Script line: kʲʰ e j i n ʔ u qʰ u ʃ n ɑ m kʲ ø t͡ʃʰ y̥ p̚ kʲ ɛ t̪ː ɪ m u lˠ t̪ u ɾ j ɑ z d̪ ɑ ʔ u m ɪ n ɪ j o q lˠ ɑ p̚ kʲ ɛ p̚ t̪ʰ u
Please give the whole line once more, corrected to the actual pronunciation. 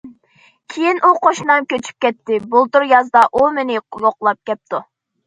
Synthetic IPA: kʲʰ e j i n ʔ u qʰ o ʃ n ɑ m kʲ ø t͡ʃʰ y̥ p̚ kʲ ɛ t̪ː ɪ b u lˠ t̪ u ɾ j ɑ z d̪ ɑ ʔ u m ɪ n ɪ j o q lˠ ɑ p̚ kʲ ɛ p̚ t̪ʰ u

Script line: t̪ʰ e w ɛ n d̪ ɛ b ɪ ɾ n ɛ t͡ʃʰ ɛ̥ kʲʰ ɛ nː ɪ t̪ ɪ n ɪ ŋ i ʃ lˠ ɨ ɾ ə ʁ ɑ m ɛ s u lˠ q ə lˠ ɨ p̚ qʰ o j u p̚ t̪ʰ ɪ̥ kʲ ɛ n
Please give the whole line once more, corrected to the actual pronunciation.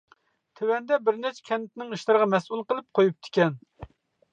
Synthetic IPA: t̪ʰ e w ɛ n d̪ ɛ b ɪ ɾ n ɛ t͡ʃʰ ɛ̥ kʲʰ ɛ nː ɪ t̪ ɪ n ɪ ŋ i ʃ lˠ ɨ ɾ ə ʁ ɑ m ɛ s u lˠ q ə lˠ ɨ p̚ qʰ o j u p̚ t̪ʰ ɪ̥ kʲ ɛ n

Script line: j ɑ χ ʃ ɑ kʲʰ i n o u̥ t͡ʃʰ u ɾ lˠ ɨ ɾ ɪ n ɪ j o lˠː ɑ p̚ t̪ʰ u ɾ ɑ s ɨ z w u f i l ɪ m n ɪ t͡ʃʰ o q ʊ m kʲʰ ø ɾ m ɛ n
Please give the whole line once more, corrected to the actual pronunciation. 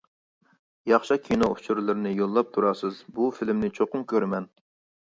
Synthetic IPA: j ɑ χ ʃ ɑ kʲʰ i n o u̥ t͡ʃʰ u ɾ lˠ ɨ ɾ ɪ n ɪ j o lˠː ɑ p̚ t̪ʰ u ɾ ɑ s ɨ z b u f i l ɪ m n ɪ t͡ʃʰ o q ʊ m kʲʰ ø ɾ m ɛ n

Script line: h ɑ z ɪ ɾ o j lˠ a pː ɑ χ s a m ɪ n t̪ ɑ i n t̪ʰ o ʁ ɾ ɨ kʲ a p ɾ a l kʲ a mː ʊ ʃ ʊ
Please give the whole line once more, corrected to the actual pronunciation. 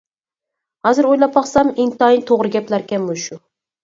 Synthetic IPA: h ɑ z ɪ ɾ o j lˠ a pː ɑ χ s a m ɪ n t̪ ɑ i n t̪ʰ o ʁ ɾ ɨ ɡʲ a p l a ɾ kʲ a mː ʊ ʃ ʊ

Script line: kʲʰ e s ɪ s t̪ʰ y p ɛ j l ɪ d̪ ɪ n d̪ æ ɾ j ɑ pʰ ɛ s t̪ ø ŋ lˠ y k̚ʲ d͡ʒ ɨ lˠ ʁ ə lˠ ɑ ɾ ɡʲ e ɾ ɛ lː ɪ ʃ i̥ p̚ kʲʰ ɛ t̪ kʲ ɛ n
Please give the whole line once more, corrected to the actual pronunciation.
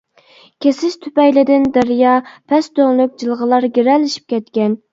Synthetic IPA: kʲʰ e s ɪ ʃ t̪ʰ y p ɛ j l ɪ d̪ ɪ n d̪ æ ɾ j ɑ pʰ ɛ s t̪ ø ŋ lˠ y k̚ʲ d͡ʒ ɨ lˠ ʁ ə lˠ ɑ ɾ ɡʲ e ɾ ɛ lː ɪ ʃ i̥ p̚ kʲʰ ɛ t̪ kʲ ɛ n

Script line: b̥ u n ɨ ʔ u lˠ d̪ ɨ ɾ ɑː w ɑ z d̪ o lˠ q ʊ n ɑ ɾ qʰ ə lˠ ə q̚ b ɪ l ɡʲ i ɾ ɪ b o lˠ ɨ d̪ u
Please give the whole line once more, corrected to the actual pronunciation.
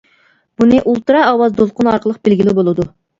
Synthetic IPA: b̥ u n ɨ ʔ u lˠ t̪ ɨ ɾ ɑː w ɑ z d̪ o lˠ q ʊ n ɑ ɾ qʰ ə lˠ ə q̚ b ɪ l ɡʲ i l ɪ b o lˠ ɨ d̪ u

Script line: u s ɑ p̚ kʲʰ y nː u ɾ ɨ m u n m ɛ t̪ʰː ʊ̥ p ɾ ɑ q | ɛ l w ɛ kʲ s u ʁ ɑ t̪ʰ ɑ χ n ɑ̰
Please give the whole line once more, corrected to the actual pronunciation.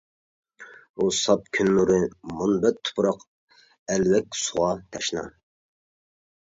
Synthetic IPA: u s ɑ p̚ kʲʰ y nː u ɾ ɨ m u n b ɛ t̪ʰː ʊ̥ p ɾ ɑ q | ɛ l w ɛ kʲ s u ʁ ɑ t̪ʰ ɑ ʃ n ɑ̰

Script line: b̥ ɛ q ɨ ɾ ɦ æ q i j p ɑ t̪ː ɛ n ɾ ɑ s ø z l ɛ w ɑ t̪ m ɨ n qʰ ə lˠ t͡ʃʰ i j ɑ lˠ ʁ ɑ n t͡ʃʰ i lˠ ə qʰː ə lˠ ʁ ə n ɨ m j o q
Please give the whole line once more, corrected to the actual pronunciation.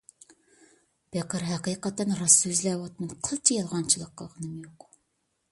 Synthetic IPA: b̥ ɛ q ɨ ɾ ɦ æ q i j q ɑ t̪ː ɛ n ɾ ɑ s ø z l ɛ w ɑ t̪ m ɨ n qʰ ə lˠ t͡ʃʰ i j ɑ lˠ ʁ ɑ n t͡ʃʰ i lˠ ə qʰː ə lˠ ʁ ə n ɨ m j o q

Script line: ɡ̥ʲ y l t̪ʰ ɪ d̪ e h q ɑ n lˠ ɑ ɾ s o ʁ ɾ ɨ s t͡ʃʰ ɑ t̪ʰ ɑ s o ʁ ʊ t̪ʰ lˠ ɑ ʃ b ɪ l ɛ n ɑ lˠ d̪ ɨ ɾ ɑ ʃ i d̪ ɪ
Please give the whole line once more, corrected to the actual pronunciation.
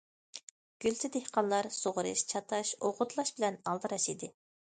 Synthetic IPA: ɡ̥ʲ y l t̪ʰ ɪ d̪ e h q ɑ n lˠ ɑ ɾ s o ʁ ɾ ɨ ʃ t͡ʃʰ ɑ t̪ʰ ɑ ʃ o ʁ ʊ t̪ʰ lˠ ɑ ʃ b ɪ l ɛ n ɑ lˠ d̪ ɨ ɾ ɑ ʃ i d̪ ɪ

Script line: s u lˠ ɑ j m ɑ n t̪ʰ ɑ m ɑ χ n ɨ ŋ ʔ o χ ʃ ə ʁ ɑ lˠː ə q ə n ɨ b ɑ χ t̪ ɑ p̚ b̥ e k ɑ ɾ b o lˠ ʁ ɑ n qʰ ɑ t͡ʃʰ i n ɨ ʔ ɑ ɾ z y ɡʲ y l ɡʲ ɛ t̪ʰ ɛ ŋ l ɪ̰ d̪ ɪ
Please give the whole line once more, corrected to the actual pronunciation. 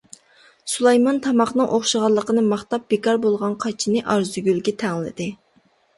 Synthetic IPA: s u lˠ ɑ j m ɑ n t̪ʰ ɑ m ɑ χ n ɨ ŋ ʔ o χ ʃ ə ʁ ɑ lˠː ə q ə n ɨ m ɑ χ t̪ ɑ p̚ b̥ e k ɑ ɾ b o lˠ ʁ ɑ n qʰ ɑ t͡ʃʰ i n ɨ ʔ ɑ ɾ z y ɡʲ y l ɡʲ ɛ t̪ʰ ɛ ŋ l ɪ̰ d̪ ɪ

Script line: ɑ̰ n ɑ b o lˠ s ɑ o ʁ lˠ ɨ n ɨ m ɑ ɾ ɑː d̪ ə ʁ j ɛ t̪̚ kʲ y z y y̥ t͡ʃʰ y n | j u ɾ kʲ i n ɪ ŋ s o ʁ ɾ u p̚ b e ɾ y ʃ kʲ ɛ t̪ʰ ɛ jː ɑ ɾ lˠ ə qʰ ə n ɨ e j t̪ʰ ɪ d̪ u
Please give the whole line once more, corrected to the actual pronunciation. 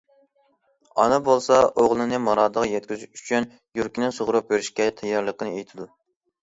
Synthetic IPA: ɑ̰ n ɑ b o lˠ s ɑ o ʁ lˠ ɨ n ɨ m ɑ ɾ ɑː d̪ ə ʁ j ɛ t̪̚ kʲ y z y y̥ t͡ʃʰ y n | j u ɾ kʲ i n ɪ ŋ s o ʁ ɾ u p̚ b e ɾ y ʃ kʲ ɛ t̪ʰ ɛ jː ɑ ɾ lˠ ə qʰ ə n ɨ e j t̪ʰ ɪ d̪ u

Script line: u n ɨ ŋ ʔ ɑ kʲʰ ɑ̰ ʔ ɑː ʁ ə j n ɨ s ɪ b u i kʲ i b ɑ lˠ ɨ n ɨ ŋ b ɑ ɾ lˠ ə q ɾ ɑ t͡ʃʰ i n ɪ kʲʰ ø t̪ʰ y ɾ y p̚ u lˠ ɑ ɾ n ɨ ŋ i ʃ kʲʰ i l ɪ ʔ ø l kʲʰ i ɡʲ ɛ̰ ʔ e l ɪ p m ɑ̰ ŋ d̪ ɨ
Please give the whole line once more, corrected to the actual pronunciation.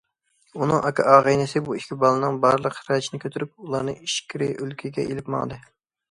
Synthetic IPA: u n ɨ ŋ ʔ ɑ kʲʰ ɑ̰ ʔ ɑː ʁ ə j n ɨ s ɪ b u i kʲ i b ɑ lˠ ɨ n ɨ ŋ b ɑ ɾ lˠ ə q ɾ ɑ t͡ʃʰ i n ɪ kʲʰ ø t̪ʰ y ɾ y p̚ u lˠ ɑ ɾ n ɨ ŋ i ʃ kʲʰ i ɾ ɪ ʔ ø l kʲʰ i ɡʲ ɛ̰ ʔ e l ɪ p m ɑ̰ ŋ d̪ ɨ

